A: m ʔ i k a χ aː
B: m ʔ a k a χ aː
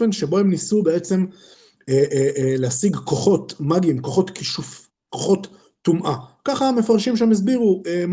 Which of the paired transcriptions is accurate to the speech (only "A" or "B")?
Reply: B